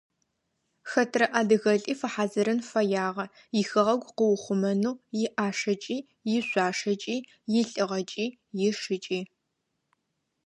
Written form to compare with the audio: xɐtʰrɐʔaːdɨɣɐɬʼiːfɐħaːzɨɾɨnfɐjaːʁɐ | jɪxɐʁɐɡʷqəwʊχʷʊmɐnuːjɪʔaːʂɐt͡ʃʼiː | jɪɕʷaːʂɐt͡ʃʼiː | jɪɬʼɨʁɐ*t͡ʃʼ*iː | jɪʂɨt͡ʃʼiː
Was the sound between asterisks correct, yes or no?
yes